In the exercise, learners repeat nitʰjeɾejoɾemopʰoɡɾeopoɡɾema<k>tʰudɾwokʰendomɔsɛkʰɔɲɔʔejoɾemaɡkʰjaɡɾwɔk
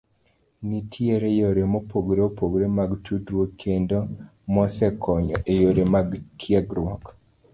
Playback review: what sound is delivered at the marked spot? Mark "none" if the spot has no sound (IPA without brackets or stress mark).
ɡ